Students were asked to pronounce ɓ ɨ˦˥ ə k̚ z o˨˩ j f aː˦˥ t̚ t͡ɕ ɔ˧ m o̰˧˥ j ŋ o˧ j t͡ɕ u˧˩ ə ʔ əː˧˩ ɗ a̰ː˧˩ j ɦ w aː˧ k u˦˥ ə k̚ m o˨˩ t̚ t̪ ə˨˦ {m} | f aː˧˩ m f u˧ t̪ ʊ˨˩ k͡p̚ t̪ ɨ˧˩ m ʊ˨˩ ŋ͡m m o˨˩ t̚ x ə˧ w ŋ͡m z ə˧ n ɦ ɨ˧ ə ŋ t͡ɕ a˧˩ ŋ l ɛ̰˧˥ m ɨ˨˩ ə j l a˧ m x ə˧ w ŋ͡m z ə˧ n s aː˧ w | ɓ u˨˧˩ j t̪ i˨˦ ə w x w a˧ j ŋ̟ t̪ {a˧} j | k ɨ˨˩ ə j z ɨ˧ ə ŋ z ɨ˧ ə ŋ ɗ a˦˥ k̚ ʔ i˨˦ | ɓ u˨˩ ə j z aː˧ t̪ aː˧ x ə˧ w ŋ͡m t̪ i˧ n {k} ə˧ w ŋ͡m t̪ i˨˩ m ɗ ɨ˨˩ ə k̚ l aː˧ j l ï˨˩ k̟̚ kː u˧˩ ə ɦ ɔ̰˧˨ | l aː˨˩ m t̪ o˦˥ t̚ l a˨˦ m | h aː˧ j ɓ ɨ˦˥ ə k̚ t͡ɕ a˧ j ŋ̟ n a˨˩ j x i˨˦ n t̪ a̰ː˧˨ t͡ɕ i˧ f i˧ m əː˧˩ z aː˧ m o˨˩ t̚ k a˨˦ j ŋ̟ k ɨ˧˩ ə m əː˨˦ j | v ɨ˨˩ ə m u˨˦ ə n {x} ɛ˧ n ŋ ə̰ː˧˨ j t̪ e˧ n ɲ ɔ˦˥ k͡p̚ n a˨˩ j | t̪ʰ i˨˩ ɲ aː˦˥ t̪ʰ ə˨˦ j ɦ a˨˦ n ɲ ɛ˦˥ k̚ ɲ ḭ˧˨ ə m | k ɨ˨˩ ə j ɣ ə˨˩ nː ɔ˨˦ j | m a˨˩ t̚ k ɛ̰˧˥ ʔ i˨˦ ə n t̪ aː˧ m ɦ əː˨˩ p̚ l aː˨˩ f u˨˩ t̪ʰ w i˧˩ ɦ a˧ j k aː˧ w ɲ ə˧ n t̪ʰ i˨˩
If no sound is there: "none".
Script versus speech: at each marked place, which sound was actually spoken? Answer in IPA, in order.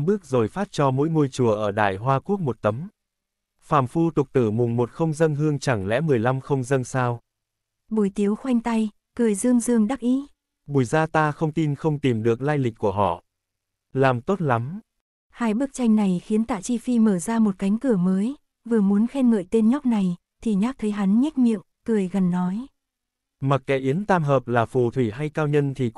m, a˧, x, x

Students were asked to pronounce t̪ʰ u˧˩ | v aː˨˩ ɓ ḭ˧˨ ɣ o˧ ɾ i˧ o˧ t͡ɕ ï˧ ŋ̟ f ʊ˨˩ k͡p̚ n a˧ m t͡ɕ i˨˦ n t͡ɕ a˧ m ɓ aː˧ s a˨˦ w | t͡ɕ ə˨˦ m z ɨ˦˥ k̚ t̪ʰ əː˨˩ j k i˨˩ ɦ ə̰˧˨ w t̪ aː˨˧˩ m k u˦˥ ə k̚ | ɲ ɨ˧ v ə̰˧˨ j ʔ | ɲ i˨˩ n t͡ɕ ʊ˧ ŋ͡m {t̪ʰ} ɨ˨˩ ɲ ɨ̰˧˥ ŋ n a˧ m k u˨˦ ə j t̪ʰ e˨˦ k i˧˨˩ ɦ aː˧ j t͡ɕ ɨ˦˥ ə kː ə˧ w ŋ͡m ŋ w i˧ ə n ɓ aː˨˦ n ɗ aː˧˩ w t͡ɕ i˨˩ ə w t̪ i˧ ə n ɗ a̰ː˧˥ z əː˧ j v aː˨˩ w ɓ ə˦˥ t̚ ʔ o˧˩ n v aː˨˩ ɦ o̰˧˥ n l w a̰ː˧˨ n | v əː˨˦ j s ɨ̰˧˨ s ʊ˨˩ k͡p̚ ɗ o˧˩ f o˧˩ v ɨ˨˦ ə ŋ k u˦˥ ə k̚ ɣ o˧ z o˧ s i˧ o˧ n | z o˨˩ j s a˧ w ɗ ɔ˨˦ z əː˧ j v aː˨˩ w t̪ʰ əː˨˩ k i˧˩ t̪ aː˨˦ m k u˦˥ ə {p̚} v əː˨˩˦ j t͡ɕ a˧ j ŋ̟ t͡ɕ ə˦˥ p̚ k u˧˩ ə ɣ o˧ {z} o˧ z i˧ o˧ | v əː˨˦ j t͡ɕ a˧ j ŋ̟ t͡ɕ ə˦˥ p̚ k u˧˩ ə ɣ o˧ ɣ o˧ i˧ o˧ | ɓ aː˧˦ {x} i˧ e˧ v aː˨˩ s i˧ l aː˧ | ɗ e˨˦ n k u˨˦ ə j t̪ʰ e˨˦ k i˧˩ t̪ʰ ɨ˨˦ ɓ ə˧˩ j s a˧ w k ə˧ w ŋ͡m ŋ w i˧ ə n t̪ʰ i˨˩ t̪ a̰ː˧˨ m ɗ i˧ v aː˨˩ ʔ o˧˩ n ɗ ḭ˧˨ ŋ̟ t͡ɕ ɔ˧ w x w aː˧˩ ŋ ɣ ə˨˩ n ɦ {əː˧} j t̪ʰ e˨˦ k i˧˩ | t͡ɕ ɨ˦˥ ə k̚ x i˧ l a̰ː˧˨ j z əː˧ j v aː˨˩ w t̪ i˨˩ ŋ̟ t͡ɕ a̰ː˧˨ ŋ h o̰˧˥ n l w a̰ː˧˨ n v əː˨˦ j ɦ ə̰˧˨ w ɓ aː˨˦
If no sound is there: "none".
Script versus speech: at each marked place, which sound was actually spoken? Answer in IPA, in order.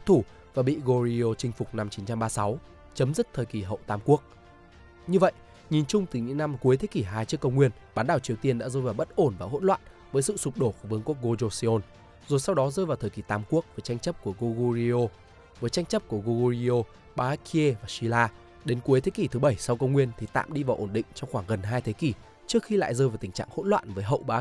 t̪, k̚, ɣ, k, aː˧

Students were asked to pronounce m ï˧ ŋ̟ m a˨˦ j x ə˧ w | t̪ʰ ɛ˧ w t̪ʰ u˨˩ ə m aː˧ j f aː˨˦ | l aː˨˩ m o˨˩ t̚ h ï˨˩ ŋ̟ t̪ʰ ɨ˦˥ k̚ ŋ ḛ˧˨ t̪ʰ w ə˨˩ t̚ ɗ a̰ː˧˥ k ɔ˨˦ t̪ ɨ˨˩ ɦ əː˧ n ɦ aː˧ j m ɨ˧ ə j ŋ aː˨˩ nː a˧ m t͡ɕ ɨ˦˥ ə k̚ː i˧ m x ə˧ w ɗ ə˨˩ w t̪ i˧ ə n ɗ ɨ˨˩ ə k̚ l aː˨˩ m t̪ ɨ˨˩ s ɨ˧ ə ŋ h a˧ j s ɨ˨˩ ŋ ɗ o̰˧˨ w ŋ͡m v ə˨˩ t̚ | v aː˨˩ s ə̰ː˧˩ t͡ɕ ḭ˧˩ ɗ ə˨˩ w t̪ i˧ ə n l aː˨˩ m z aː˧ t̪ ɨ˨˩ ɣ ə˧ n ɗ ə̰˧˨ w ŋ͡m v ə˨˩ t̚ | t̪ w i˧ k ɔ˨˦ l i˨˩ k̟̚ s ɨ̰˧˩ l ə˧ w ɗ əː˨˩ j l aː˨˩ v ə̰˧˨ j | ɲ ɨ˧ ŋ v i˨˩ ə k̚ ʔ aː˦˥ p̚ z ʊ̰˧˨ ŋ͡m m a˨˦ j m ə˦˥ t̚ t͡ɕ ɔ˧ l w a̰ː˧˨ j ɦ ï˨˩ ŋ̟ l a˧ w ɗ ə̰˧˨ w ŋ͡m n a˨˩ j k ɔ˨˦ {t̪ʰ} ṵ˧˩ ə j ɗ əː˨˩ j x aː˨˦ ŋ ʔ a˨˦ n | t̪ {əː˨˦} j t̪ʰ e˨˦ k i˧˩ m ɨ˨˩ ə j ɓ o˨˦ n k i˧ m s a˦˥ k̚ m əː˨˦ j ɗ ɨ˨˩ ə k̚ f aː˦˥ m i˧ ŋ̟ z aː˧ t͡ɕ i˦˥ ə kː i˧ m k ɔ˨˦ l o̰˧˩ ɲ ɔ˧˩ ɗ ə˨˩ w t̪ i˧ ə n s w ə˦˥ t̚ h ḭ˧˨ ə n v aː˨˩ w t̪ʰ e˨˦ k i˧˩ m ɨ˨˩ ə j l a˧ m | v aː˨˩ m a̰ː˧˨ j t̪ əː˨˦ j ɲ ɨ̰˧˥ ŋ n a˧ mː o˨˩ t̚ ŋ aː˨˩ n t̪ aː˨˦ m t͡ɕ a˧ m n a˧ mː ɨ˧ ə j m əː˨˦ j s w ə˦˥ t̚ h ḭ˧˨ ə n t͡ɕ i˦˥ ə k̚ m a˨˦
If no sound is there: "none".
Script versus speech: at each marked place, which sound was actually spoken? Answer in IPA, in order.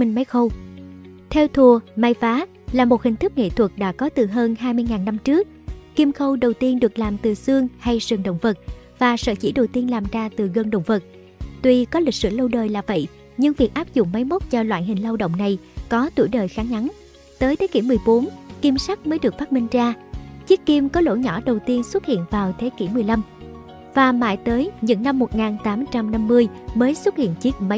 t̪, əː˨˦

